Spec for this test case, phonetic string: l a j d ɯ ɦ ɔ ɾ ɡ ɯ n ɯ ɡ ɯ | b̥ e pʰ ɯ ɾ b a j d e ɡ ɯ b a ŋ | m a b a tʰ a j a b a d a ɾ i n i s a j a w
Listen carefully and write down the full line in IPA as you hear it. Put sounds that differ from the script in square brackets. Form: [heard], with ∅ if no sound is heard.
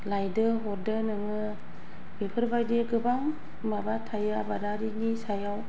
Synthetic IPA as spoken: l a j d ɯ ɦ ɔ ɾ [d] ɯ n ɯ [ŋ] ɯ | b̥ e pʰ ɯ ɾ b a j d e ɡ ɯ b a ŋ | m a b a tʰ a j a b a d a ɾ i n i s a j a w